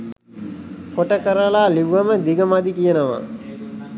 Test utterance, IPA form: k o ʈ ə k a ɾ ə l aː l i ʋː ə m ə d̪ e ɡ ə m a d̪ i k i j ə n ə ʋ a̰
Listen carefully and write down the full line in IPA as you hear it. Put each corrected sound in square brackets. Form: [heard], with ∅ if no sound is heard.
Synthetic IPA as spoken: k o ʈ ə k [ə] ɾ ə l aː l i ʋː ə m ə d̪ [i] ɡ ə m a d̪ i k i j ə n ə ʋ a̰